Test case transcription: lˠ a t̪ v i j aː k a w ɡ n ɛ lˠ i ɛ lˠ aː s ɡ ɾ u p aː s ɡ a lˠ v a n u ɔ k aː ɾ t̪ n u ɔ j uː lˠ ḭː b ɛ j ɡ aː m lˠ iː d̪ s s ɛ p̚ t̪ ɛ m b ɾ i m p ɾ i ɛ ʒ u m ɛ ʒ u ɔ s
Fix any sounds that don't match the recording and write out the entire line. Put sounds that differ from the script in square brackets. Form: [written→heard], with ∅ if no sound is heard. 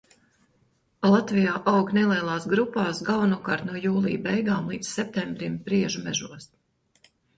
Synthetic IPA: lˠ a t̪ v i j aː [k→ʔ] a w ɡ n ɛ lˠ i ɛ lˠ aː s ɡ ɾ u p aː s ɡ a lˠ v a n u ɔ k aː ɾ t̪ n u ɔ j uː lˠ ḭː b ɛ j ɡ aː m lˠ iː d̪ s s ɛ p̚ t̪ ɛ m b ɾ i m p ɾ i ɛ ʒ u m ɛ ʒ u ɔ s

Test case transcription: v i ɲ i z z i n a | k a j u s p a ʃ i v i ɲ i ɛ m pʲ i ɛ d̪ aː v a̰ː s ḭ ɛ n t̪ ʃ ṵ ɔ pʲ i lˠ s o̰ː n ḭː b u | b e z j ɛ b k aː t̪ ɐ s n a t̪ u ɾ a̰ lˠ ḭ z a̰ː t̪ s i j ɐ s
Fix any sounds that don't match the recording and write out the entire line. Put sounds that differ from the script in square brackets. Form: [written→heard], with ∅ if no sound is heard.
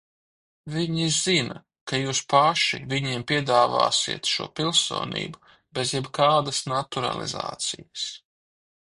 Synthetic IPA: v i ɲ i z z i n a | k a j [u→uː] s p a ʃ i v i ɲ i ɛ m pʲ i ɛ d̪ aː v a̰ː s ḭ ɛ [n→∅] t̪ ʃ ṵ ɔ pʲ i lˠ s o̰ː n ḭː b u | b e z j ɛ b k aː [t̪→d̪] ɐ s n a t̪ u ɾ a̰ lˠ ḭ z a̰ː t̪ s i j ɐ s

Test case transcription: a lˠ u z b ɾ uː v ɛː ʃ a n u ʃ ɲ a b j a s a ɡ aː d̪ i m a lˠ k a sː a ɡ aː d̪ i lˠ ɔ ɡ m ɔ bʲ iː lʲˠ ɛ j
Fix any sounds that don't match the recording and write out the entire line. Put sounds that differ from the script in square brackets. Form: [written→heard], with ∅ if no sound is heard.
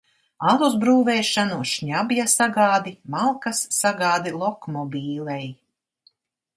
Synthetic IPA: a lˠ u z b ɾ uː v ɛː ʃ a n u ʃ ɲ a b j a s a ɡ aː d̪ i m a lˠ k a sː a ɡ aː d̪ i lˠ ɔ [ɡ→k] m ɔ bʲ iː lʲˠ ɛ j

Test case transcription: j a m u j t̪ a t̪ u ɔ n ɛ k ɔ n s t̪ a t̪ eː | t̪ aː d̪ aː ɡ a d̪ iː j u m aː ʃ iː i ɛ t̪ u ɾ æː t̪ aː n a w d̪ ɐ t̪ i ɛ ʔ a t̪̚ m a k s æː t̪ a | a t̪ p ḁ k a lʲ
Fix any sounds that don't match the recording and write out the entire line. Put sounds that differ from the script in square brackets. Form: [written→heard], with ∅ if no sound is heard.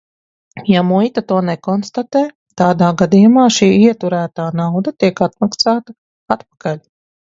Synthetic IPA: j a m u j t̪ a t̪ u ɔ n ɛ k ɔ n s t̪ a t̪ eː | t̪ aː d̪ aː ɡ a d̪ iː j u m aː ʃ iː i ɛ t̪ u ɾ æː t̪ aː n a w d̪ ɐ t̪ i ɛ [ʔ→k] a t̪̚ m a k s [æː→aː] t̪ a | a t̪ p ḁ k a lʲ

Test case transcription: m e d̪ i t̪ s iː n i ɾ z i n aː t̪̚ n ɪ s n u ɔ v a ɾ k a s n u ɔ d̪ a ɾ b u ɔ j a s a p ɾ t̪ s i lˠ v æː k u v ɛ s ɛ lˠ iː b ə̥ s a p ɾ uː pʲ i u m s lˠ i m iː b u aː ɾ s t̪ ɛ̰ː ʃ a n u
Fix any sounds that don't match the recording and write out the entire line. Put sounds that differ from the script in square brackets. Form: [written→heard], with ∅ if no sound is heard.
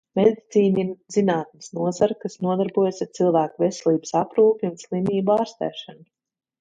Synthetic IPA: m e d̪ i t̪ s iː n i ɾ z i n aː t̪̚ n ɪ s n u ɔ [v→z] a ɾ k a s n u ɔ d̪ a ɾ b u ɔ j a s a [p→∅] ɾ t̪ s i lˠ v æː k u v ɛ s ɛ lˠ iː b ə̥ s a p ɾ uː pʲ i u [m→n] s lˠ i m iː b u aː ɾ s t̪ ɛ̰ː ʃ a n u

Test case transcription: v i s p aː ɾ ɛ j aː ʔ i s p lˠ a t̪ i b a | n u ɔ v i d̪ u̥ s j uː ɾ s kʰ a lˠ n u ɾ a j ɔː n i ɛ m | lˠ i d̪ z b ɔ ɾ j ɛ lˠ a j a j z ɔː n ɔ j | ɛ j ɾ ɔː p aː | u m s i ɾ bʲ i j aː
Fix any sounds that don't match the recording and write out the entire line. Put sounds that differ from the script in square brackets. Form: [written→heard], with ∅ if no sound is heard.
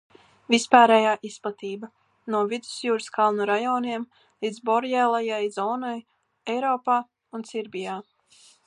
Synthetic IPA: v i s p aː ɾ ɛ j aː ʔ i s p lˠ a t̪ [i→iː] b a | n u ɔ v i d̪ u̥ s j uː ɾ s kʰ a lˠ n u ɾ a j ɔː n i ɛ m | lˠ i d̪ z b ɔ ɾ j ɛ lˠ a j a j z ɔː n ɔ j | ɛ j ɾ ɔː p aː | u [m→n] s i ɾ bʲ i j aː

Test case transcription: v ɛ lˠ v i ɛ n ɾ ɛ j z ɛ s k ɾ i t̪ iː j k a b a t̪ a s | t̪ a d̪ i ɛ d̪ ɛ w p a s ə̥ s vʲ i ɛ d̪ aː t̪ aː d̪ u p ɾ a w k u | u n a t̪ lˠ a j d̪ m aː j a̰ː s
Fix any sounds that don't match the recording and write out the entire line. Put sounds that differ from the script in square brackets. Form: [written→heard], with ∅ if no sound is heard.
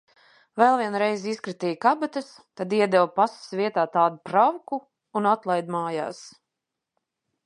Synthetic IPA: v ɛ lˠ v i ɛ n ɾ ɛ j z [ɛ→i] s k ɾ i t̪ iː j k a b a t̪ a s | t̪ a d̪ i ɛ d̪ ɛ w p a s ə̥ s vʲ i ɛ [d̪→t̪] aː t̪ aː d̪ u p ɾ a w k u | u n a t̪ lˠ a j d̪ m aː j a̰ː s

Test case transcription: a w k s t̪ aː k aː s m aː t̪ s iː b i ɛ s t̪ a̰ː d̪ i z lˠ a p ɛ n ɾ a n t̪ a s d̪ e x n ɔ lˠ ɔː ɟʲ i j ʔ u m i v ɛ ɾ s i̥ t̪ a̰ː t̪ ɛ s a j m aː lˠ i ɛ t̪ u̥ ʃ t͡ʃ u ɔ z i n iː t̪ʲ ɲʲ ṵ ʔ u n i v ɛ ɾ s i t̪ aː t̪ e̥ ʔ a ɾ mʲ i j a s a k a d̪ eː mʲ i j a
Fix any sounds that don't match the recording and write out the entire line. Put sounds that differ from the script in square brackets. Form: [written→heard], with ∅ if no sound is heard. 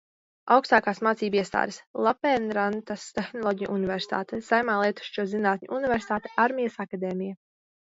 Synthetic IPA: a w k s t̪ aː k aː s m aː t̪ s iː b i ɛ s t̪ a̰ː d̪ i [z→s] lˠ a p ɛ n ɾ a n t̪ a s [d̪→t̪] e x n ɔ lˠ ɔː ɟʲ i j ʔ u [m→n] i v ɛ ɾ s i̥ t̪ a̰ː t̪ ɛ s a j m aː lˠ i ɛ t̪ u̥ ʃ t͡ʃ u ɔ z i n [iː→aː] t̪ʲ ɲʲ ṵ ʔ u n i v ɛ ɾ s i t̪ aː t̪ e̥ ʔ a ɾ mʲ i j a s a k a d̪ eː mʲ i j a

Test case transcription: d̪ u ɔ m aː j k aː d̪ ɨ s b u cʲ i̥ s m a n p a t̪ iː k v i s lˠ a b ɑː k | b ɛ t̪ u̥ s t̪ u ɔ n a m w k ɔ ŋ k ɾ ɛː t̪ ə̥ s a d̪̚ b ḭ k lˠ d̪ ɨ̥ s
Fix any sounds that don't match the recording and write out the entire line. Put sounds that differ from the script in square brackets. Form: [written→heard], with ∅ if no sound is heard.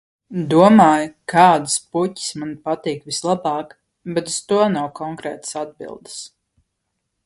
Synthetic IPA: d̪ u ɔ m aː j k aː d̪ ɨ s [b→p] u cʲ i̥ s m a n p a t̪ iː k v i s lˠ a b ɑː k | b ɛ t̪ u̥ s t̪ u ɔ n a [m→∅] w k ɔ ŋ k ɾ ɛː t̪ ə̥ s a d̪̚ b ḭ [k→∅] lˠ d̪ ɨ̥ s

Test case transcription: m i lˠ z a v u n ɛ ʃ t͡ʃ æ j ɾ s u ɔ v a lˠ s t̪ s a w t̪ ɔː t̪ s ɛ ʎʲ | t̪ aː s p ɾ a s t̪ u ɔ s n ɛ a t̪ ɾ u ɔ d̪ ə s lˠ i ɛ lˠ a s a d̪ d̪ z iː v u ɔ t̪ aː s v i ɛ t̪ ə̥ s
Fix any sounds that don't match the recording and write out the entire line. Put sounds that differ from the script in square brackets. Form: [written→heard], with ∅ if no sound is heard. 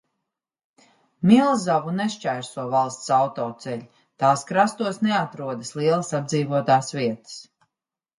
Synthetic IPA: m i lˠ z a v u n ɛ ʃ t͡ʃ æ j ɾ s u ɔ v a lˠ s t̪ s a w t̪ ɔː t̪ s ɛ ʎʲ | t̪ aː s [p→k] ɾ a s t̪ u ɔ s n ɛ a t̪ ɾ u ɔ d̪ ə s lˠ i ɛ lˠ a s a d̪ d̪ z iː v u ɔ t̪ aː s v i ɛ t̪ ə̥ s

